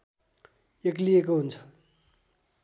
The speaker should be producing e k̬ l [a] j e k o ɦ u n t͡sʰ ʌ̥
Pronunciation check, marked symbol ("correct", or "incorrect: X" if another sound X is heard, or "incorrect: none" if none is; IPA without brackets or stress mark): incorrect: i